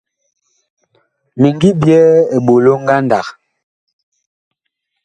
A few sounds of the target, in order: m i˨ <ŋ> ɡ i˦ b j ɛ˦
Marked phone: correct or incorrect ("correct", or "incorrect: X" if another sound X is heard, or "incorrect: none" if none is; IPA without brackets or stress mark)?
correct